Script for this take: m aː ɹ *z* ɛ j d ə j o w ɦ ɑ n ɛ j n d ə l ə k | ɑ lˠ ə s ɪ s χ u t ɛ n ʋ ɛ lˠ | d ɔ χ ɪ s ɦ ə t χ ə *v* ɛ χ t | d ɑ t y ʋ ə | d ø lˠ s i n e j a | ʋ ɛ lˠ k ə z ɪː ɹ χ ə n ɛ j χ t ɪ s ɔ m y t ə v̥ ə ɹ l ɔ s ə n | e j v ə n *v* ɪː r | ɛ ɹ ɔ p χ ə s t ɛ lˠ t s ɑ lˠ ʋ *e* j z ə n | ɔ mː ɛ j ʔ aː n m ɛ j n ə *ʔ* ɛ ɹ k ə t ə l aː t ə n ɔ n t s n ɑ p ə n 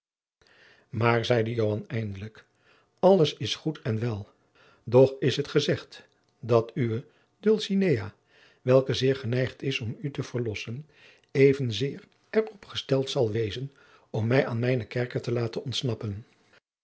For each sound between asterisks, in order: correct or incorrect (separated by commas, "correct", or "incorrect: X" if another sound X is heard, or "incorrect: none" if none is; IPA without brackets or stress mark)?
correct, incorrect: z, incorrect: z, correct, incorrect: k